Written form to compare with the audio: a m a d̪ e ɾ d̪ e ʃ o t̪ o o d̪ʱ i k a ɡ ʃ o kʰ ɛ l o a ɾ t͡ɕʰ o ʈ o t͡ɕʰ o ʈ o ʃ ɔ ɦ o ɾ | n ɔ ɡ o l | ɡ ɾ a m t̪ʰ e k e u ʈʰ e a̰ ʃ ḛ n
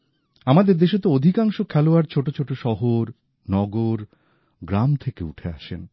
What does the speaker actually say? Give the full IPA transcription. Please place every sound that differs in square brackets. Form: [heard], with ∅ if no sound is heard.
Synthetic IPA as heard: a m a d̪ e ɾ d̪ e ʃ o t̪ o o d̪ʱ i k a [ŋ] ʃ o kʰ ɛ l o a ɾ t͡ɕʰ o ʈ o t͡ɕʰ o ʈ o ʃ ɔ ɦ o ɾ | n ɔ ɡ o [ɾ] | ɡ ɾ a m t̪ʰ e k e u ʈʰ e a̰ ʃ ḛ n

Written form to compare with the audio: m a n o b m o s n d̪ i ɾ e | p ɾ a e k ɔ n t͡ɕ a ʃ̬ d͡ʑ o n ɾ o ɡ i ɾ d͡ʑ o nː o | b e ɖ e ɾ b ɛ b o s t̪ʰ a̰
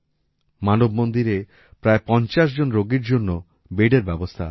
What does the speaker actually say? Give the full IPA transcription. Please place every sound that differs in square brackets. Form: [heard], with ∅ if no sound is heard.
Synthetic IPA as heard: m a n o b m o [∅] n d̪ i ɾ e | p ɾ a e [p] ɔ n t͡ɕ a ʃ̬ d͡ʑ o n ɾ o ɡ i ɾ d͡ʑ o nː o | b e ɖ e ɾ b ɛ b o s t̪ʰ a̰

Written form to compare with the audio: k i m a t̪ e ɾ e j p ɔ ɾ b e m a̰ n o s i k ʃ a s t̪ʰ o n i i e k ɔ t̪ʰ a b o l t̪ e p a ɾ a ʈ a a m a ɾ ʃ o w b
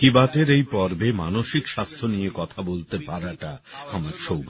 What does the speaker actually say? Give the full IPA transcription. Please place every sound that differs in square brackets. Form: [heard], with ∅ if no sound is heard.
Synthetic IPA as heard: k i [b] a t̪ e ɾ e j p ɔ ɾ b e m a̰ n o [ʃ] i k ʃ a s t̪ʰ o n i [j] e k ɔ t̪ʰ a b o l t̪ e p a ɾ a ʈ a a m a ɾ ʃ o w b

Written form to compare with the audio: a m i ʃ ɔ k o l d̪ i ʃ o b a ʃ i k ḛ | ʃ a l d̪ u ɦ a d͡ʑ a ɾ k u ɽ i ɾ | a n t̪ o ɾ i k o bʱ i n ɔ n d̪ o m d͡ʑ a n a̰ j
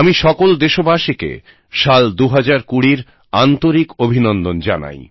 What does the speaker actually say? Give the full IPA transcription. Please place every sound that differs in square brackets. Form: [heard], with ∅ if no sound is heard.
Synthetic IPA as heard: a m i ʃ ɔ k o l d̪ [e] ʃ o b a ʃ i k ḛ | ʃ a l d̪ u ɦ a d͡ʑ a ɾ k u ɽ i ɾ | a n t̪ o ɾ i k o bʱ i n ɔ n d̪ o [n] d͡ʑ a n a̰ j

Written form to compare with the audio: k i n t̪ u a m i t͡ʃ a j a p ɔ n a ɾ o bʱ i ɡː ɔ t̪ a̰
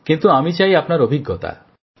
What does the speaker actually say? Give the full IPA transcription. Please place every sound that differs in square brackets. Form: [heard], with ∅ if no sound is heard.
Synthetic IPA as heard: k i n t̪ u a m i t͡ʃ a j a p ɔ n a ɾ o bʱ i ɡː ɔ t̪ a̰

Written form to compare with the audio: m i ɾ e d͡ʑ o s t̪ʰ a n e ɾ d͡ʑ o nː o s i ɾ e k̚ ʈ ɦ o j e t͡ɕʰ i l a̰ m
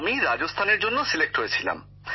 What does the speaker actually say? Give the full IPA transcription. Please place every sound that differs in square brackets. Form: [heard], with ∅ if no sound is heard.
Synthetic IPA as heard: m i ɾ [a] d͡ʑ o s t̪ʰ a n e ɾ d͡ʑ o nː o s i [l] e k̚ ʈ ɦ o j e t͡ɕʰ i l a̰ m

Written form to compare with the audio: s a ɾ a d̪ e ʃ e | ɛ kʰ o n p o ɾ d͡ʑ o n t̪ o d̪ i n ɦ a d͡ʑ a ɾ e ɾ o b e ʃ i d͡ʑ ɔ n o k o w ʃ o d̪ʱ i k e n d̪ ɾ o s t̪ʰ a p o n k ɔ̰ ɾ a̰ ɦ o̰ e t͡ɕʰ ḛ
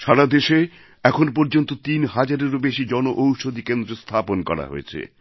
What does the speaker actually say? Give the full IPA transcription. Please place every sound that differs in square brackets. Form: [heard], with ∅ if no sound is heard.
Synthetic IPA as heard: [ʃ] a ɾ a d̪ e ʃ e | ɛ kʰ o n p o ɾ d͡ʑ o n t̪ o [t̪] i n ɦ a d͡ʑ a ɾ e ɾ o b e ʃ i d͡ʑ ɔ n o [ʔ] o w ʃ o d̪ʱ i k e n d̪ ɾ o s t̪ʰ a p o n k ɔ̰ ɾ a̰ ɦ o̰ e t͡ɕʰ ḛ

